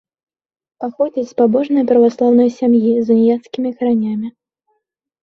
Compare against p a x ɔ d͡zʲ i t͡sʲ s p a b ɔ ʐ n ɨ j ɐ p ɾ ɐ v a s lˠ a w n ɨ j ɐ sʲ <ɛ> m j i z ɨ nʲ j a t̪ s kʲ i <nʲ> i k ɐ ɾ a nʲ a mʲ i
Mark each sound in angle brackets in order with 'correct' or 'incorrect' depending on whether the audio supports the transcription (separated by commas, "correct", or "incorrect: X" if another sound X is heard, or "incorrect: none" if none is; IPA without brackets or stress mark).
incorrect: a, incorrect: mʲ